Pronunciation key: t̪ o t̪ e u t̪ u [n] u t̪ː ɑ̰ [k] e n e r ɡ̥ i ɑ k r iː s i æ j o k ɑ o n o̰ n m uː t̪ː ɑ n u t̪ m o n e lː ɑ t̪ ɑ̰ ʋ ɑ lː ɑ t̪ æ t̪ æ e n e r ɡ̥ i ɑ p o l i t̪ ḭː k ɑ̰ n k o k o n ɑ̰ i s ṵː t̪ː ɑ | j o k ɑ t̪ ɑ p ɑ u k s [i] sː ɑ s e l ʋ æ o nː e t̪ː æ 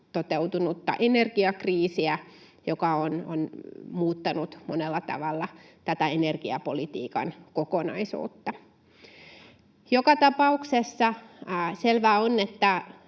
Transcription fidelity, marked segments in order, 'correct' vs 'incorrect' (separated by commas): correct, incorrect, incorrect